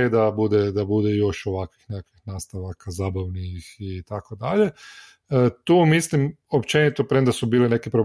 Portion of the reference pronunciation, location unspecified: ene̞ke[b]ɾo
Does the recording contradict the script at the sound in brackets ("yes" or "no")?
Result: yes